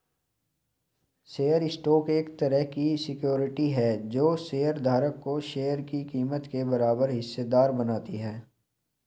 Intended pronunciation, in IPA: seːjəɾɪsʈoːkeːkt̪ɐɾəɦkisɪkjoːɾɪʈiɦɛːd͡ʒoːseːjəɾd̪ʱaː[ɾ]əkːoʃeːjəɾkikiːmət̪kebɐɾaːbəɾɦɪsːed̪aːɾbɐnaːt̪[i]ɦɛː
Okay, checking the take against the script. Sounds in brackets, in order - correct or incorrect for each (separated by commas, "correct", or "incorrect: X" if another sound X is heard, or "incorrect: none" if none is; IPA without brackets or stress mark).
correct, correct